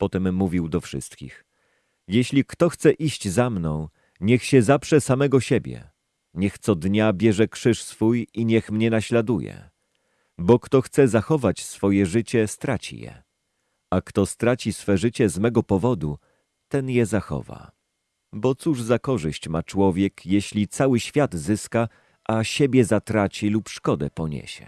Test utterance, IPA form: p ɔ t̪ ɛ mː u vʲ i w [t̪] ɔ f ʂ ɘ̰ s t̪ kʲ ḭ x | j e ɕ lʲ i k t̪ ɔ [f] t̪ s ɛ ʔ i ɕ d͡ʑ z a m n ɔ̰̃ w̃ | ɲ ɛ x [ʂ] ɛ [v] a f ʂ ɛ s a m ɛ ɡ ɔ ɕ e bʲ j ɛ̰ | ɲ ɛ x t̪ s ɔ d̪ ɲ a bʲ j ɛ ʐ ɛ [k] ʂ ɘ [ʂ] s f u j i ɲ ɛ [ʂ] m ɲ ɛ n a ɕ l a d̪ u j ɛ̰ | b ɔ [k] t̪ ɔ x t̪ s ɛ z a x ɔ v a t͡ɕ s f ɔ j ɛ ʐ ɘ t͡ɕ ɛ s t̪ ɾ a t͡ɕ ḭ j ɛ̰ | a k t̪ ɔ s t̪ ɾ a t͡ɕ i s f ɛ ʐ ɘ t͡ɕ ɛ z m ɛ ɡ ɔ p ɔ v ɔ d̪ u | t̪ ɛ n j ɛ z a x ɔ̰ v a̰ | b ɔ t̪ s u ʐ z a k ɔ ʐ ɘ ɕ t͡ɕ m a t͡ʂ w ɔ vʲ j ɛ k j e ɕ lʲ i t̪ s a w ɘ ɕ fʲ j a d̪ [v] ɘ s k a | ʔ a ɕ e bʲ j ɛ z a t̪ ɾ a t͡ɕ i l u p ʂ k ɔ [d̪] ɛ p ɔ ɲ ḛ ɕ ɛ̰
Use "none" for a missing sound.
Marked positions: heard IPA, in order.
d̪, x, ɕ, z, k, ʂ, x, k, z, d̪

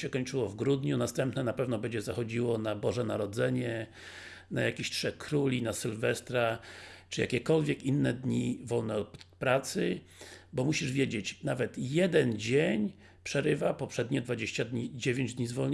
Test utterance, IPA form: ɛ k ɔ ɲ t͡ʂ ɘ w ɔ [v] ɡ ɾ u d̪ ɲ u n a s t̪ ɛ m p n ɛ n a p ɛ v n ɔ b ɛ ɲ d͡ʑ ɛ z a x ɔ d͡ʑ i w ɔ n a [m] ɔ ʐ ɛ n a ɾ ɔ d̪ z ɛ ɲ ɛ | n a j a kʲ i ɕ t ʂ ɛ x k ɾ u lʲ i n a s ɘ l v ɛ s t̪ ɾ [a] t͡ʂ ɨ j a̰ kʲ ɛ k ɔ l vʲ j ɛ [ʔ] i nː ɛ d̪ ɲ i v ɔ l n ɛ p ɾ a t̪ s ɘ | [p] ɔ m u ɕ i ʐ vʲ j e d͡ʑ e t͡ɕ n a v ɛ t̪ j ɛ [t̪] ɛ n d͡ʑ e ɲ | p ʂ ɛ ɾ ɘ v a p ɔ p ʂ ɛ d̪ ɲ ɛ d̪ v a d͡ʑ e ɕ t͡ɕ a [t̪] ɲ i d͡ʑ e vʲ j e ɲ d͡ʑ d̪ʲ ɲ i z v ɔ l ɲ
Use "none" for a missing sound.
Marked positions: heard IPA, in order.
v, b, a, k, b, d̪, d̪

